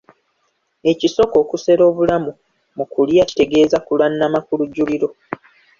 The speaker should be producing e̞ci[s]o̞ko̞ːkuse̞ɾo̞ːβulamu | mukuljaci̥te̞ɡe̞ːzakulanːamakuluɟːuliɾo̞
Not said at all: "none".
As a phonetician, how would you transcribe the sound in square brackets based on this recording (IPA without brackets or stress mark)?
s